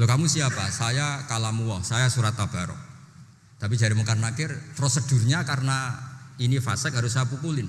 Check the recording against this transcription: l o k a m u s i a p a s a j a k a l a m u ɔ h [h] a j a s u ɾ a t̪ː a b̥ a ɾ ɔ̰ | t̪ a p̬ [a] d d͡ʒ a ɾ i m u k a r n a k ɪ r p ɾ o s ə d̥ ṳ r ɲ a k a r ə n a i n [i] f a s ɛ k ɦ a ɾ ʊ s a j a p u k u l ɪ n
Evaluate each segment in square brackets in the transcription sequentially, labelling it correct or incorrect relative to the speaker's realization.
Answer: incorrect: s, incorrect: i, correct

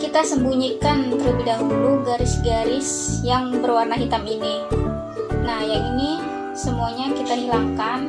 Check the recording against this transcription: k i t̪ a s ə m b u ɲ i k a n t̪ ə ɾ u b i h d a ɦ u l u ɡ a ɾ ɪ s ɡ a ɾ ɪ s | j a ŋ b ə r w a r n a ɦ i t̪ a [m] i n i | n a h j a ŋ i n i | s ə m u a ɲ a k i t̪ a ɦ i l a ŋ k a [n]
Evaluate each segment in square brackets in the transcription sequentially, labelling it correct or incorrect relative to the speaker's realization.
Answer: correct, correct

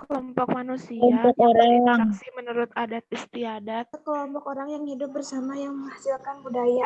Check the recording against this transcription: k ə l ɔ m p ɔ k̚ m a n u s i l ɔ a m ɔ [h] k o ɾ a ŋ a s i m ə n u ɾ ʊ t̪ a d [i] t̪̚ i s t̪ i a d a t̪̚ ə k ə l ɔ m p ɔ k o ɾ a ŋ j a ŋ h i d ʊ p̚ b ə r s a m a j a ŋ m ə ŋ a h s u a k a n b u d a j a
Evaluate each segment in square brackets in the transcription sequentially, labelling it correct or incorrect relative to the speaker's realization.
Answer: incorrect: none, incorrect: a

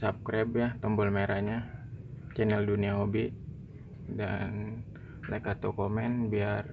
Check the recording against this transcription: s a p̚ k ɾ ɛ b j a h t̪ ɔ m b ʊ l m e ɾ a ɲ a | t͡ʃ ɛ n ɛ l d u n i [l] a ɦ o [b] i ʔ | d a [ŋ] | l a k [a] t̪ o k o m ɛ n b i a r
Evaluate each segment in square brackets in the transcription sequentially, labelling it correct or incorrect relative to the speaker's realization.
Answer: incorrect: none, correct, incorrect: n, correct

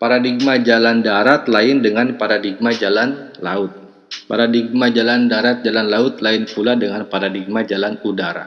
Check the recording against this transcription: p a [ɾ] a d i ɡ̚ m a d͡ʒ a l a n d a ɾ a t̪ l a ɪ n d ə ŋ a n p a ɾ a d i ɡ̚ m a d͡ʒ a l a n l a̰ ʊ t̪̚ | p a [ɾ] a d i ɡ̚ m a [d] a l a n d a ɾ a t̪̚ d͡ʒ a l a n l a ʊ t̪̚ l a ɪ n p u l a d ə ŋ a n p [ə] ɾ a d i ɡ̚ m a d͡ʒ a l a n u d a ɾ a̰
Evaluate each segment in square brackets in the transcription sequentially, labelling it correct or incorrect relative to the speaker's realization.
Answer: correct, correct, incorrect: d͡ʒ, incorrect: a

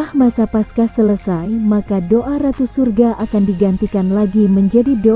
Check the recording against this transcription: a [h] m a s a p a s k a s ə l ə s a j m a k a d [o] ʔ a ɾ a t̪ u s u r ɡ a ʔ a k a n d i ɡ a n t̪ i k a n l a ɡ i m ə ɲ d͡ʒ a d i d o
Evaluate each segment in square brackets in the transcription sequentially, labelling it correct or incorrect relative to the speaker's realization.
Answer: correct, correct

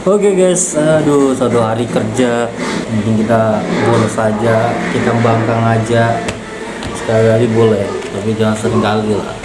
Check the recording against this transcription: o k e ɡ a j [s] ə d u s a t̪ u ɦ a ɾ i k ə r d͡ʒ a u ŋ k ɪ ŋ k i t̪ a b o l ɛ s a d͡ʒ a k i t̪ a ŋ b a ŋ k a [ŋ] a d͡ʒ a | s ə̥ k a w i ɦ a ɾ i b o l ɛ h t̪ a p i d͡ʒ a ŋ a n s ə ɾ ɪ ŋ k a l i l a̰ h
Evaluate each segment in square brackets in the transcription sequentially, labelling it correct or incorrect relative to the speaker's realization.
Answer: correct, correct

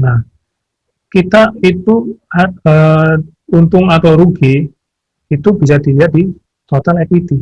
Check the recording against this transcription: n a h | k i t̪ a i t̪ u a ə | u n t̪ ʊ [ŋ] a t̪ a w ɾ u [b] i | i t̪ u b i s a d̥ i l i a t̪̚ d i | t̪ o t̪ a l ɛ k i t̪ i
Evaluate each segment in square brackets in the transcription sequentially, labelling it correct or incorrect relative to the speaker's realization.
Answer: correct, incorrect: ɡ

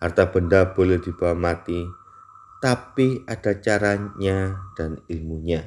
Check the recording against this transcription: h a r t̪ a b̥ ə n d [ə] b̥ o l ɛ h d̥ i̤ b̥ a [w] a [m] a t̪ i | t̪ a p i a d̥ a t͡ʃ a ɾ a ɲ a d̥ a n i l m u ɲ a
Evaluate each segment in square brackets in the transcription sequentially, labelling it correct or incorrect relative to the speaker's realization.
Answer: incorrect: a, correct, correct

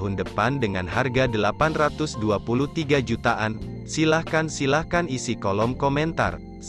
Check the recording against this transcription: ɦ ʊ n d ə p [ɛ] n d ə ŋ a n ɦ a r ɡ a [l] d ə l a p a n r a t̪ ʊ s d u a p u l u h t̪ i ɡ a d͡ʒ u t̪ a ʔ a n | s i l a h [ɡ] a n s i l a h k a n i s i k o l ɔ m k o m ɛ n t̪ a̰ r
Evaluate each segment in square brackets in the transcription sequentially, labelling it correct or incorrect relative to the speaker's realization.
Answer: incorrect: a, incorrect: none, incorrect: k

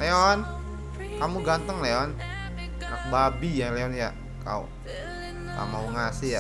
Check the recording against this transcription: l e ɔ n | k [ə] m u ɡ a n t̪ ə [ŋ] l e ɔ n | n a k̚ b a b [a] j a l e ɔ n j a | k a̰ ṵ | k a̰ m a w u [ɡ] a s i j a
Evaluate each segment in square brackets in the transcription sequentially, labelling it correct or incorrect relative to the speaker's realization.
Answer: incorrect: a, correct, incorrect: i, incorrect: ŋ

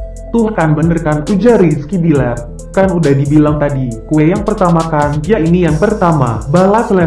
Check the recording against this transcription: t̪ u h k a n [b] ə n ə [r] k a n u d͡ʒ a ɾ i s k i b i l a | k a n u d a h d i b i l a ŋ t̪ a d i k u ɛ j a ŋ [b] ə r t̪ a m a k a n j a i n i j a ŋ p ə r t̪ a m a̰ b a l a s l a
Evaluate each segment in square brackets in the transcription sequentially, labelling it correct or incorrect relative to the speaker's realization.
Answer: correct, correct, incorrect: p

